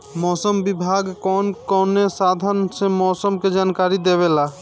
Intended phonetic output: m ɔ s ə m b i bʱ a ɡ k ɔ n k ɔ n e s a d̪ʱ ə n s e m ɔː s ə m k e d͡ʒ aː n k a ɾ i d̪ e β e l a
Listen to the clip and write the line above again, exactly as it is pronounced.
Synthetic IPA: m ɔ s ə m b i bʱ a ɡ k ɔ n k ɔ n e s a d̪ʱ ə n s e m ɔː s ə m k e d͡ʒ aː n k a ɾ i d̪ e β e l a